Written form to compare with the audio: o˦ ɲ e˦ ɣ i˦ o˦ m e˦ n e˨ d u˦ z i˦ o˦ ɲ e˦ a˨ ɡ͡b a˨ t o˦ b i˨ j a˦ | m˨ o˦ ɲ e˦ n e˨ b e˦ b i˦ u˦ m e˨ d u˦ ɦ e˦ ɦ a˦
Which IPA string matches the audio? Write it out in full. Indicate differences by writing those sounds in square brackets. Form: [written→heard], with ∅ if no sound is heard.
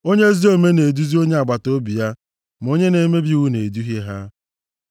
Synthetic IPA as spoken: o˦ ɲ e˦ [ɣ→z] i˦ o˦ m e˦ n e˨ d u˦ z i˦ o˦ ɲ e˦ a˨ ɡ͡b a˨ t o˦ b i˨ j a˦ | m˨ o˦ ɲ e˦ n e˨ [b→m] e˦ b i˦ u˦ [m→n] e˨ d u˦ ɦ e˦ ɦ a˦